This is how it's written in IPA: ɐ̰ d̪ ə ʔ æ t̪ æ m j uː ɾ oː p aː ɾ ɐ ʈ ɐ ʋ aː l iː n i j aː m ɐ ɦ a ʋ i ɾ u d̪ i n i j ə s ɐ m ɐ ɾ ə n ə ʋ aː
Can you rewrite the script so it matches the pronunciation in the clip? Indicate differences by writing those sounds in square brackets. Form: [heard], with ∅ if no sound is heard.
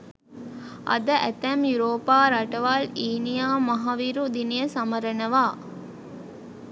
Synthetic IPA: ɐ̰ d̪ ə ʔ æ t̪ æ m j [u] ɾ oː p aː ɾ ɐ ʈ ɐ ʋ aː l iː n i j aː m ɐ ɦ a ʋ i ɾ u d̪ i n i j ə s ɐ m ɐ ɾ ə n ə ʋ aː